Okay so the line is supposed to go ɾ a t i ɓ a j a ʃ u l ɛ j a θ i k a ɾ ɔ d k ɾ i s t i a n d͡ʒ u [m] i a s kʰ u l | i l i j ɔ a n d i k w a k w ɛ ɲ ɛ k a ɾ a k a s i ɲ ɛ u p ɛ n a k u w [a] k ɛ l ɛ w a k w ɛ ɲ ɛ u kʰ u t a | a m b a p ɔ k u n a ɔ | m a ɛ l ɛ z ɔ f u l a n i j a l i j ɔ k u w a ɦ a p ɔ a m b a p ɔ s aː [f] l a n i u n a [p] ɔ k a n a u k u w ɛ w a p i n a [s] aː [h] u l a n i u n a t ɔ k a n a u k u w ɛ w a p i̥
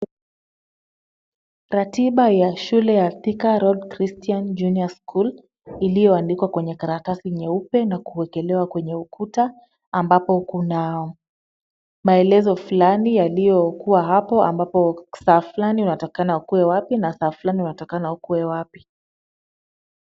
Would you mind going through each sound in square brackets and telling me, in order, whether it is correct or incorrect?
incorrect, incorrect, correct, incorrect, correct, incorrect

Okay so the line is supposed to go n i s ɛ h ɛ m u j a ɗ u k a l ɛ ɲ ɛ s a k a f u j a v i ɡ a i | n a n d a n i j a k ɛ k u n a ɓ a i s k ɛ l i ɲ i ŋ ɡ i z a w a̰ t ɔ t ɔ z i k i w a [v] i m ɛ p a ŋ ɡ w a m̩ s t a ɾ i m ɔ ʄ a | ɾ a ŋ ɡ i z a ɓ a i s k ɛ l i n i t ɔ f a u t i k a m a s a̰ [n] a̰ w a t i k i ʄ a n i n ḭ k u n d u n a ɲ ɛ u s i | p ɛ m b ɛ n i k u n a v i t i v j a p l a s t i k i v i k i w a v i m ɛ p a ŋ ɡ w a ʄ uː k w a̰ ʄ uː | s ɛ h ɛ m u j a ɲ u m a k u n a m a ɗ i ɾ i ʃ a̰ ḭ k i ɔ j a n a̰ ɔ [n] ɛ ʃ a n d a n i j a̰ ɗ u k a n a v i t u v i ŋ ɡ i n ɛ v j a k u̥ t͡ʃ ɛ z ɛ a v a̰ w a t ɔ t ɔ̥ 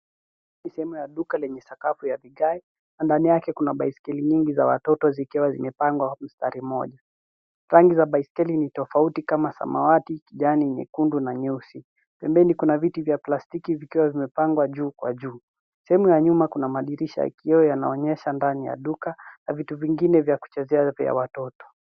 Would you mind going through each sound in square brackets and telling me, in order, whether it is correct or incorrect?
incorrect, incorrect, incorrect

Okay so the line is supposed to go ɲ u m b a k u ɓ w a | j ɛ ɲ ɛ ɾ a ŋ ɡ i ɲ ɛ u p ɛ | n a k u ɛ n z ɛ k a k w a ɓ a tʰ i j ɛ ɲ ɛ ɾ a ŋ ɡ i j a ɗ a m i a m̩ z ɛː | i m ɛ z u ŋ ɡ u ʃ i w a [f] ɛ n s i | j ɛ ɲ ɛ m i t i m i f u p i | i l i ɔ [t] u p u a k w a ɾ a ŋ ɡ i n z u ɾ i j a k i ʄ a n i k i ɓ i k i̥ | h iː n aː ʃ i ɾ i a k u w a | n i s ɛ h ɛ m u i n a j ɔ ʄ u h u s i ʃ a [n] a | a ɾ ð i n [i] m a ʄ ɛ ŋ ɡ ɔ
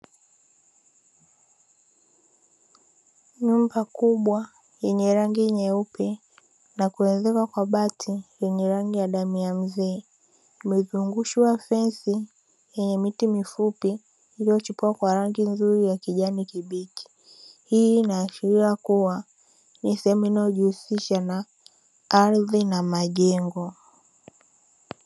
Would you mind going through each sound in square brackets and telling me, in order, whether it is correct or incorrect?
correct, incorrect, correct, incorrect

